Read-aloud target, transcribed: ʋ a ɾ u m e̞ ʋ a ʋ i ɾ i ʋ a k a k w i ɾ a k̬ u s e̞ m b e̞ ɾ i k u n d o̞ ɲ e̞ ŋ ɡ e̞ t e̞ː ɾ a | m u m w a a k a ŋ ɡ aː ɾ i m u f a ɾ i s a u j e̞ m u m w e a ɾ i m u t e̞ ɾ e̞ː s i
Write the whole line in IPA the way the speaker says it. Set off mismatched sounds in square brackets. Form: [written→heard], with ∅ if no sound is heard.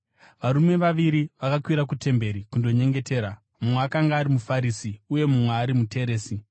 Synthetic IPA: ʋ a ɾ u m e̞ ʋ a ʋ i ɾ i ʋ a k a k w i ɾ a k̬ u [s→t] e̞ m b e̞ ɾ i k u n d o̞ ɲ e̞ ŋ ɡ e̞ t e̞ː ɾ a | m u m w [a→e] a k a ŋ ɡ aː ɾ i m u f a ɾ i s [a→i] u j e̞ m u m w e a ɾ i m u t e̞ ɾ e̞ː s i